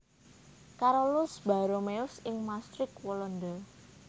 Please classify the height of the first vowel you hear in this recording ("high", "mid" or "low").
low